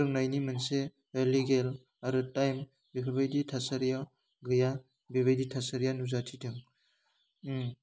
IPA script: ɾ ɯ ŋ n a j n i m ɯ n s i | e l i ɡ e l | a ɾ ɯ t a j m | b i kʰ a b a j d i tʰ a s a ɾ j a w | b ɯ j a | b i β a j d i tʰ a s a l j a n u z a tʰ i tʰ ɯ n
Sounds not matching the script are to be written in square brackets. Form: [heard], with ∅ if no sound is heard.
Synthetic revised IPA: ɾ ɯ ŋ n a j n i m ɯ n s [e] | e l i ɡ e l | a ɾ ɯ t a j m | b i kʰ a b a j d i tʰ a s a ɾ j a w | [ɡ] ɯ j a | b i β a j d i tʰ a s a [ɾ] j a n u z a tʰ i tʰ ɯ [ŋ]